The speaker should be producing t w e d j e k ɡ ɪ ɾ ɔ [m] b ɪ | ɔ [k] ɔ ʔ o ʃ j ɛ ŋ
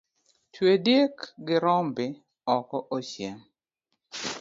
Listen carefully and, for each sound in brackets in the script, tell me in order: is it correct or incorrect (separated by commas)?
correct, correct